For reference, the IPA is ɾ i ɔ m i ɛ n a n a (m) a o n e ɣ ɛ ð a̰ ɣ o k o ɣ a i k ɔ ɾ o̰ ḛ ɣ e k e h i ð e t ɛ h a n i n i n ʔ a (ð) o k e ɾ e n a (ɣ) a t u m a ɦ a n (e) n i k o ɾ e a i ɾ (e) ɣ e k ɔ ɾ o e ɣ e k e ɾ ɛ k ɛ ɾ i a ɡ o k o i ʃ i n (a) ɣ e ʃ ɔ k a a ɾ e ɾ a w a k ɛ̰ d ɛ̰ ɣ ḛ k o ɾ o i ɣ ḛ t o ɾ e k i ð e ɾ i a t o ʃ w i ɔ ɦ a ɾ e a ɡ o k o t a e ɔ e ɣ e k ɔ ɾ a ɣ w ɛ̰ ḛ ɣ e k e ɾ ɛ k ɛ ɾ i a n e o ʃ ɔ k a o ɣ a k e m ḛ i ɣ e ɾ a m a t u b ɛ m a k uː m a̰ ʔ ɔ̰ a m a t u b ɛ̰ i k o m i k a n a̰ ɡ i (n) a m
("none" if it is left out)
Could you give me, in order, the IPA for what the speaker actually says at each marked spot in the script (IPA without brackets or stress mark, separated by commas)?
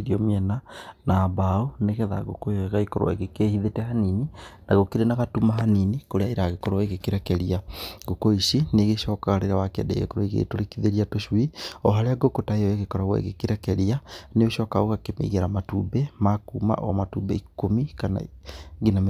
b, ɣ, ɣ, i, a, e, n